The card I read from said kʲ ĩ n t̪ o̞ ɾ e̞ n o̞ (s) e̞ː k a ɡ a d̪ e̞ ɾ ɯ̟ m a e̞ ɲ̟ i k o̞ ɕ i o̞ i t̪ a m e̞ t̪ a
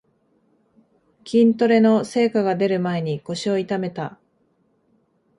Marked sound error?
no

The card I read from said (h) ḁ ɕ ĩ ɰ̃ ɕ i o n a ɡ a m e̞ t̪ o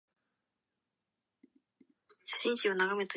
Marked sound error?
yes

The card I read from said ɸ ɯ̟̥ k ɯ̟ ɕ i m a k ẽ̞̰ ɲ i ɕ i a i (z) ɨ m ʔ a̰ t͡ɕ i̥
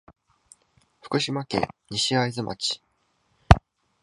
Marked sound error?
no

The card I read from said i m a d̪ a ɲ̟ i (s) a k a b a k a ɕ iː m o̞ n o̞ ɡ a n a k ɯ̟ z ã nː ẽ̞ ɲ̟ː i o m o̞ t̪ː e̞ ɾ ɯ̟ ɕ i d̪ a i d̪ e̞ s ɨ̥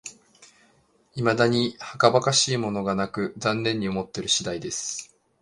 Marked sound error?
yes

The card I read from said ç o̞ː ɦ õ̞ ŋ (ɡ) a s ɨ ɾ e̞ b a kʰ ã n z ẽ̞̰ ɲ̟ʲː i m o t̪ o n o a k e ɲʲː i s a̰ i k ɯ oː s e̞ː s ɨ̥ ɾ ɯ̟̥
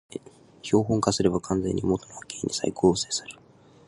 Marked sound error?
yes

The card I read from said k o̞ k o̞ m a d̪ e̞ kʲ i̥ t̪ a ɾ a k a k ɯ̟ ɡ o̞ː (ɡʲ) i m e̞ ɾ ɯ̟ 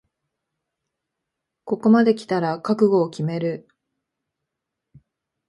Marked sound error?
yes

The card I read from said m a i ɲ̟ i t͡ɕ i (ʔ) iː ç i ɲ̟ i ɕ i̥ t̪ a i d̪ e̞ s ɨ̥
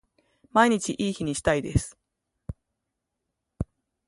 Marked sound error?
no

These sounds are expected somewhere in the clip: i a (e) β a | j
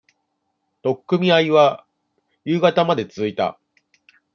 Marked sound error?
yes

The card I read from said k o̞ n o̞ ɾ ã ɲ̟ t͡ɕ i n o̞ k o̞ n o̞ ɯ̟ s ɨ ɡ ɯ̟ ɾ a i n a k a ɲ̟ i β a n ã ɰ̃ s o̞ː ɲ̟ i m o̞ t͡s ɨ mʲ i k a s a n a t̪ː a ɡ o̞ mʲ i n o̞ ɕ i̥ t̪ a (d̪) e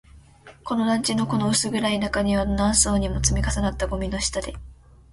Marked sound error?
no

